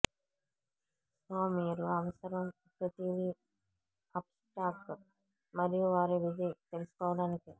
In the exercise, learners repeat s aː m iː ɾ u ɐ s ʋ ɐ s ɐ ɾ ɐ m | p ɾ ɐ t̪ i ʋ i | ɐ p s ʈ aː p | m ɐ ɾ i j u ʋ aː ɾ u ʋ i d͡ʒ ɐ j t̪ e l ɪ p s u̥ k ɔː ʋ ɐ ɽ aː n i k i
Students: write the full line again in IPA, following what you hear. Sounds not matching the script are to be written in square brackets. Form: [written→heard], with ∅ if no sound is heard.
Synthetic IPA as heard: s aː m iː ɾ u ɐ [s→∅] ʋ ɐ s ɐ ɾ ɐ m | p ɾ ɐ t̪ i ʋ i | ɐ p s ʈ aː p | m ɐ ɾ i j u ʋ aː ɾ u ʋ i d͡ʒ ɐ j t̪ e l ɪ [p→∅] s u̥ k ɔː ʋ ɐ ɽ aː n i k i